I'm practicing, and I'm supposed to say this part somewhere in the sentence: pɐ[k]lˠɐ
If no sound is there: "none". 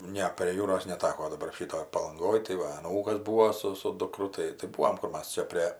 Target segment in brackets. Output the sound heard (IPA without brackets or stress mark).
none